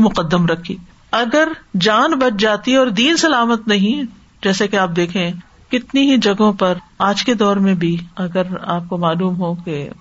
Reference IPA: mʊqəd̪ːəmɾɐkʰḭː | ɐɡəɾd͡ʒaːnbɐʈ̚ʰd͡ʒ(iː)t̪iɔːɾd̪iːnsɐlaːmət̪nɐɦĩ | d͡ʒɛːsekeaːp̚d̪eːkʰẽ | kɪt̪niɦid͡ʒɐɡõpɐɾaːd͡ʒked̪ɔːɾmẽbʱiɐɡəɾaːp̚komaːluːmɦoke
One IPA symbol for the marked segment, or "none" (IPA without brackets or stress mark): aː